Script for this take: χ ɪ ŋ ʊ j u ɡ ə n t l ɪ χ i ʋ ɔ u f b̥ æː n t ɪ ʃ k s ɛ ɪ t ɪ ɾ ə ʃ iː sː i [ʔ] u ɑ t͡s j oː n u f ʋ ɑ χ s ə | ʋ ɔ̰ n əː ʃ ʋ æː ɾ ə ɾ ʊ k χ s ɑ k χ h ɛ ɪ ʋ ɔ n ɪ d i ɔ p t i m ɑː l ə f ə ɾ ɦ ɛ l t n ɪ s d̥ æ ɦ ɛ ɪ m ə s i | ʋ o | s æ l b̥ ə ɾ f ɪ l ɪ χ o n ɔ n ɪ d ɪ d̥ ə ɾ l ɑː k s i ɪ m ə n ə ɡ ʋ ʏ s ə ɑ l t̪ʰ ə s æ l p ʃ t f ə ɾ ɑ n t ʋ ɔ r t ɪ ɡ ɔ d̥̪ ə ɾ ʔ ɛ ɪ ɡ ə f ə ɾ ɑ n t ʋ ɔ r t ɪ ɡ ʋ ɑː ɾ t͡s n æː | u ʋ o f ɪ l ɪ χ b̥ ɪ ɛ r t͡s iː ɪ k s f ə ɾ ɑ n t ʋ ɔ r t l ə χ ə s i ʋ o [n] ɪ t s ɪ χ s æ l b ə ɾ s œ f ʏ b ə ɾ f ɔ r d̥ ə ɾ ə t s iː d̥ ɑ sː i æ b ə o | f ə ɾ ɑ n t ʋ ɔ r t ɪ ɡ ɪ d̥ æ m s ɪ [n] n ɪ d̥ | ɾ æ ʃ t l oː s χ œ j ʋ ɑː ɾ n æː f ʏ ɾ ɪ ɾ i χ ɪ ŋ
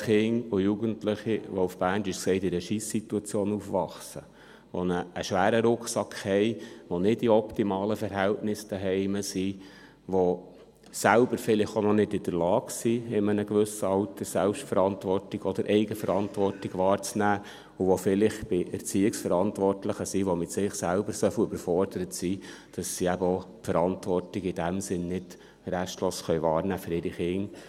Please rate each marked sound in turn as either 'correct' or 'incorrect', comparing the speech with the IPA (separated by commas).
incorrect, incorrect, correct